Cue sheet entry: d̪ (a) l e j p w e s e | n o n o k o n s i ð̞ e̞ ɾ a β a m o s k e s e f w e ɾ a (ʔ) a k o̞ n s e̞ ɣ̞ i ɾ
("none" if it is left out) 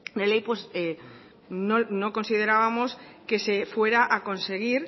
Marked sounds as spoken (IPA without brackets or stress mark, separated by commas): e, ʔ